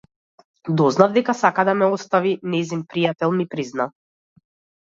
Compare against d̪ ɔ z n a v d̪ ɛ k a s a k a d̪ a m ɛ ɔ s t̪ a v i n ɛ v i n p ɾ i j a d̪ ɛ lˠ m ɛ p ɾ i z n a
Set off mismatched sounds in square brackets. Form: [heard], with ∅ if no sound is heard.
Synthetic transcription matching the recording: d̪ ɔ z n a v d̪ ɛ k a s a k a d̪ a m ɛ ɔ s t̪ a v i n ɛ [z] i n p ɾ i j a [t̪] ɛ lˠ m [i] p ɾ i z n a